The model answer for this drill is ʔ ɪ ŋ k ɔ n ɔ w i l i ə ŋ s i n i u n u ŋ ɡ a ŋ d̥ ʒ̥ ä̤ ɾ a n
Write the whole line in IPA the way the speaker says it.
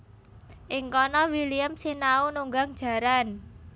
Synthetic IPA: ʔ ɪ ŋ k ɔ n ɔ w i l i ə m s i n a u n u ŋ ɡ a ŋ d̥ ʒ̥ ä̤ ɾ a n